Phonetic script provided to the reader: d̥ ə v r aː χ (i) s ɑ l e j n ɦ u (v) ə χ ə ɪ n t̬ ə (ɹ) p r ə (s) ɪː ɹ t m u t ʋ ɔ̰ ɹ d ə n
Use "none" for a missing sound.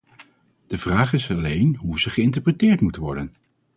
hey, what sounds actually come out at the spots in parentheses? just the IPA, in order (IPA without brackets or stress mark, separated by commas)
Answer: ɪ, z, ɹ, t